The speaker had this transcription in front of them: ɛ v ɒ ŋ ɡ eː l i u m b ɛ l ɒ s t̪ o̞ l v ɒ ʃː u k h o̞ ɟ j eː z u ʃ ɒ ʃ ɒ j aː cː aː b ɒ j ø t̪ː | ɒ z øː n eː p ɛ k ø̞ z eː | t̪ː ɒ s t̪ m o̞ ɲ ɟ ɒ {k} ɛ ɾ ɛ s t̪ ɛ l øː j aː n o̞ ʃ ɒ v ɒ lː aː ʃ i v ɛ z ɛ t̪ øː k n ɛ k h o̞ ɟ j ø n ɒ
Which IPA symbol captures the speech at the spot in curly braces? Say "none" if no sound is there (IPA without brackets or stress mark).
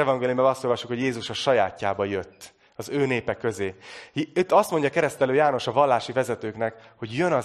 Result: k